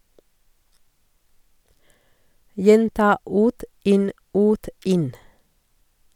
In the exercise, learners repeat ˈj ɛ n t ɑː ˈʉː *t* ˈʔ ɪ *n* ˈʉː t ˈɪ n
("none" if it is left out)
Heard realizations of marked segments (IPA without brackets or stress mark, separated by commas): t, n